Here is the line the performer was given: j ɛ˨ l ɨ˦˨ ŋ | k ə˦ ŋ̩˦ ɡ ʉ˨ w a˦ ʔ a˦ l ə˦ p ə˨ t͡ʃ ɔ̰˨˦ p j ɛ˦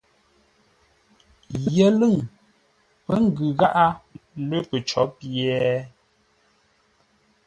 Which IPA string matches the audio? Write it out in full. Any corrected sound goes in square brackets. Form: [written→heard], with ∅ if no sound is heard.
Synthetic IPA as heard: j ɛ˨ l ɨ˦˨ ŋ | [k→p] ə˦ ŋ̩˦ ɡ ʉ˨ [w→ɣ] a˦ ʔ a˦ l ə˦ p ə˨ t͡ʃ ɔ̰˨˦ p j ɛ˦